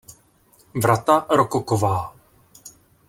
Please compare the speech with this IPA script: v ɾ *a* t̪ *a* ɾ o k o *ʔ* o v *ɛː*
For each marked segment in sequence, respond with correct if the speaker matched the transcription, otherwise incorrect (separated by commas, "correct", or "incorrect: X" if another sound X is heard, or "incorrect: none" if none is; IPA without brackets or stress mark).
correct, correct, incorrect: k, incorrect: aː